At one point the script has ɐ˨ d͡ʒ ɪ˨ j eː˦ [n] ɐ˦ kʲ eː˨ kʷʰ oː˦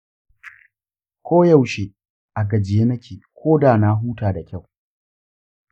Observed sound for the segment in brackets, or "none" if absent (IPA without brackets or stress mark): n